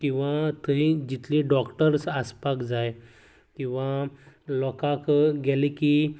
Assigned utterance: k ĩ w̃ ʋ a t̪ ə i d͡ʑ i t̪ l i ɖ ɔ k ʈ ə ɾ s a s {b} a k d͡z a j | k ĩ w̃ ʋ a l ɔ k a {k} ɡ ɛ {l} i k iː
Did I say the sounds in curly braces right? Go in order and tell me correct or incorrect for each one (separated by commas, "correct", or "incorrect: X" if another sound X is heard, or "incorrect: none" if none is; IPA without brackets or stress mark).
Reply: incorrect: p, correct, correct